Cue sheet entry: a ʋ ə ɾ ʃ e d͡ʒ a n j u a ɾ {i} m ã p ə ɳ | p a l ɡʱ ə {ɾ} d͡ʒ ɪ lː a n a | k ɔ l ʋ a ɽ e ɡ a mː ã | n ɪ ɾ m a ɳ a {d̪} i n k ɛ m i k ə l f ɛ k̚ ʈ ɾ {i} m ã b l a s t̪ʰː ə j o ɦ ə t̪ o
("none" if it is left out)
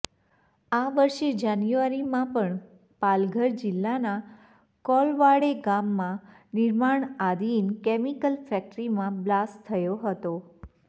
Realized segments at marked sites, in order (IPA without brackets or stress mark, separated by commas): i, ɾ, d̪, i